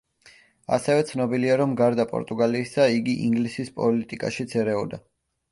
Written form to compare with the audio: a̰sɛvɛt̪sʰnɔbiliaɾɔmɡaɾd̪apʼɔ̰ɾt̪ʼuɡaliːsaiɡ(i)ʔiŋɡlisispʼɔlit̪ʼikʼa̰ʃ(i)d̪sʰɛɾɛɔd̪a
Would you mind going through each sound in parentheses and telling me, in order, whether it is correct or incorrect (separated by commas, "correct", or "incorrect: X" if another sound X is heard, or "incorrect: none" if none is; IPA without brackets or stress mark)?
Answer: correct, correct